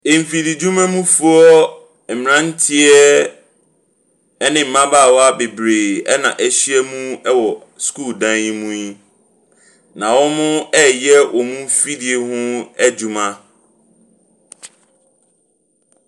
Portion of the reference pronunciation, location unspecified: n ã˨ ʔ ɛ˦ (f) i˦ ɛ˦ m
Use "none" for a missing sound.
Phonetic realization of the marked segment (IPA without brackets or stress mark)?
ɕ